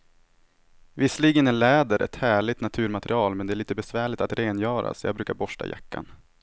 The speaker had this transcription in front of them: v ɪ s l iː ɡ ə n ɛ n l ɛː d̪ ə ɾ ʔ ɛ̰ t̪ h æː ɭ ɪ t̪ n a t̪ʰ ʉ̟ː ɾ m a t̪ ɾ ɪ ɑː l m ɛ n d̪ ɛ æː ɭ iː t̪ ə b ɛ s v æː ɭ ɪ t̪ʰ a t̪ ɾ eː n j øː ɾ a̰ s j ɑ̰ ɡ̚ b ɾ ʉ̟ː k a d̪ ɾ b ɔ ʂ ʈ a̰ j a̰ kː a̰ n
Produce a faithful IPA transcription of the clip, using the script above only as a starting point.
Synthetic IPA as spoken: v ɪ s l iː ɡ ə n ɛ n l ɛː d̪ ə ɾ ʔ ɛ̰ t̪ h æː ɭ ɪ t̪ n a t̪ʰ ʉ̟ː ɾ m a t̪ ɾ ɪ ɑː l m ɛ n d̪ ɛ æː ɭ iː t̪ ə b ɛ s v æː ɭ ɪ t̪ a t̪ ɾ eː n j œː ɾ a̰ s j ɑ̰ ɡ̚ b ɾ ʉ̟ː k a ɾ b ɔ ʂ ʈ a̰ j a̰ kː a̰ n